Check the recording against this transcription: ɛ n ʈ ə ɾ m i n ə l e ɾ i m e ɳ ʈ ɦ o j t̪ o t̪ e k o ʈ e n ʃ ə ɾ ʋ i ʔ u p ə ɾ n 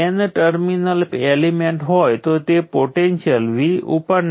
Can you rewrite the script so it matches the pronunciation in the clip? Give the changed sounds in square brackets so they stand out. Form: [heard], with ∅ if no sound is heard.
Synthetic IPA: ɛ n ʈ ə ɾ m i n ə l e [l] i m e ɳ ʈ ɦ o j t̪ o t̪ e [p] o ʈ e n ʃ ə [l] ʋ i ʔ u p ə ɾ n